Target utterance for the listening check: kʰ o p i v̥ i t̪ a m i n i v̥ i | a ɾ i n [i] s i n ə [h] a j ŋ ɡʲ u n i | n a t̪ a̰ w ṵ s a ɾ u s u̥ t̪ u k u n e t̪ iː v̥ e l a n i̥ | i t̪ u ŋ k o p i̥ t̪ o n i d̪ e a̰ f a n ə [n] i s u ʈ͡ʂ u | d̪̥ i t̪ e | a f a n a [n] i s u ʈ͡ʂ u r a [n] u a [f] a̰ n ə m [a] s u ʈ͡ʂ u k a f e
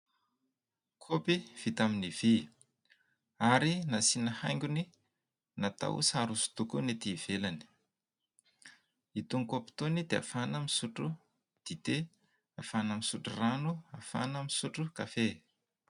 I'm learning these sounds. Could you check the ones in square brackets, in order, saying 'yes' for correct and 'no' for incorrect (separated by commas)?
no, yes, no, no, yes, yes, no